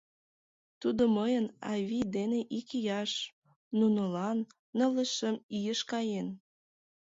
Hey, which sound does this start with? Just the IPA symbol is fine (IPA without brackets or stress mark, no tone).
t̪